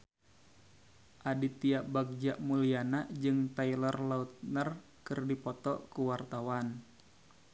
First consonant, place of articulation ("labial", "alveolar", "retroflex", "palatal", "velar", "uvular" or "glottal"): glottal